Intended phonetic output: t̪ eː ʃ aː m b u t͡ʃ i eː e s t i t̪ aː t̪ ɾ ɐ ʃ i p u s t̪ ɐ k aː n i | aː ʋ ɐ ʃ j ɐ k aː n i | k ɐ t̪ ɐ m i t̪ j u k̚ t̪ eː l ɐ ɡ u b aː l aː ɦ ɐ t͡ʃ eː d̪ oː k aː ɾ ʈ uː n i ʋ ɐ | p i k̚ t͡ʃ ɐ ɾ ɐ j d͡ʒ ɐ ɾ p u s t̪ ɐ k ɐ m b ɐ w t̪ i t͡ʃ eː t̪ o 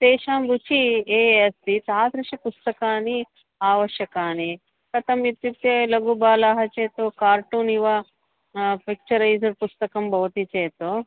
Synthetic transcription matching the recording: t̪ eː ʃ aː m b u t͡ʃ i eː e s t i t̪ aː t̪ ɾ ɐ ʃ i p u s t̪ ɐ k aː n i | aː ʋ ɐ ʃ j ɐ k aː n i | k ɐ t̪ ɐ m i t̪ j u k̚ t̪ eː l ɐ ɡ u b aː l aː ɦ ɐ t͡ʃ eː t̪ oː k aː ɾ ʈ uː n i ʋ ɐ | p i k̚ t͡ʃ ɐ ɾ ɐ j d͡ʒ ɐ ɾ p u s t̪ ɐ k ɐ m b ɐ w t̪ i t͡ʃ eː t̪ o

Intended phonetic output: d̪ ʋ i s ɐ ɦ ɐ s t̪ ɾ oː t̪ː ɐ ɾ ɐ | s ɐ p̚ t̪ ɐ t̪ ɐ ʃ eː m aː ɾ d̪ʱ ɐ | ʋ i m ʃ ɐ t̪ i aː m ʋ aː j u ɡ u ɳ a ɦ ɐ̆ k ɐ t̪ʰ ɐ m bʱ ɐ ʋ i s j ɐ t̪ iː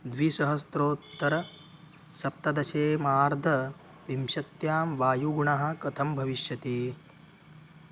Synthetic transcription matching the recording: d̪ ʋ i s ɐ ɦ ɐ s t̪ ɾ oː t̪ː ɐ ɾ ɐ | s ɐ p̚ t̪ ɐ d̪ ɐ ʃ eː m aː ɾ d̪ʱ ɐ | ʋ i m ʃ ɐ t̪ j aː m ʋ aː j u ɡ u ɳ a ɦ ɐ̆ k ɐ t̪ʰ ɐ m bʱ ɐ ʋ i ʃ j ɐ t̪ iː

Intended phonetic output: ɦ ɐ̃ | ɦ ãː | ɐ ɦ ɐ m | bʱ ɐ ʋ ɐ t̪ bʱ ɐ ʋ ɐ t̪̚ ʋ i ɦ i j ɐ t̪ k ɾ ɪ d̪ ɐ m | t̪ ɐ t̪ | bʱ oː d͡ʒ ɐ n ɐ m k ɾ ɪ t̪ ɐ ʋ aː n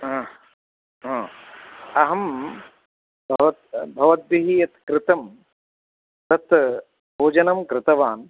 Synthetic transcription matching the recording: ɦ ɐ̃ | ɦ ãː | ɐ ɦ ɐ m | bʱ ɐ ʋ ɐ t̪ bʱ ɐ ʋ ɐ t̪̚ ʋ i ɦ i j ɐ t̪ k ɾ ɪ t̪ ɐ m | t̪ ɐ t̪ | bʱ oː d͡ʒ ɐ n ɐ m k ɾ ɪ t̪ ɐ ʋ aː n

